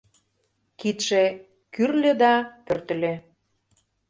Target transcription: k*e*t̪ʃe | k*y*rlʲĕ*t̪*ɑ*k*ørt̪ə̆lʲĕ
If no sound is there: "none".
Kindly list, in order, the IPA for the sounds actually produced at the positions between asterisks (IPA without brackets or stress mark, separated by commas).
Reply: i, y, d̪, p